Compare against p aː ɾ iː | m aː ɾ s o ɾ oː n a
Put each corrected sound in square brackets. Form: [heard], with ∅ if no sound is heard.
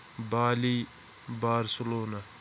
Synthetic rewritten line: [b] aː [l] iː | [b] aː ɾ s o [l] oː n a